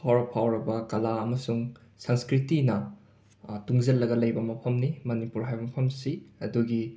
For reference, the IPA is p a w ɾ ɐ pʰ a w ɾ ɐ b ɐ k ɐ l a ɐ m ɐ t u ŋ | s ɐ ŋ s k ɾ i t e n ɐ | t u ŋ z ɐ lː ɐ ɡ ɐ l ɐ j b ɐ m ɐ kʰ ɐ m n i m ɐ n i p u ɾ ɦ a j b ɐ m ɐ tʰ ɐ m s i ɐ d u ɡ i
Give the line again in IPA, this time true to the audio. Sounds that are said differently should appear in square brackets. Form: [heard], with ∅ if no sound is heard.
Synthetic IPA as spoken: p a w ɾ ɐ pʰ a w ɾ ɐ b ɐ k ɐ l a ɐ m ɐ [s] u ŋ | s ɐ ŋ s k ɾ i t [i] n ɐ | t u ŋ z ɐ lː ɐ ɡ ɐ l ɐ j b ɐ m ɐ [pʰ] ɐ m n i m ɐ n i p u ɾ ɦ a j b ɐ m ɐ [pʰ] ɐ m s i ɐ d u ɡ i